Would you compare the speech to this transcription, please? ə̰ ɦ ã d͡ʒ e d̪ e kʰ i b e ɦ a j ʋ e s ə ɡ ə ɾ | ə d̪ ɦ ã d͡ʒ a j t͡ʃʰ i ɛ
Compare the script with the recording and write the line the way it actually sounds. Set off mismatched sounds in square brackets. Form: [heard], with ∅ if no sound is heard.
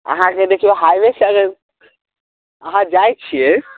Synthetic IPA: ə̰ ɦ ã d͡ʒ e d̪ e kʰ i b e ɦ a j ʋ e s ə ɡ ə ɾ | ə [∅] ɦ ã d͡ʒ a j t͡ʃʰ i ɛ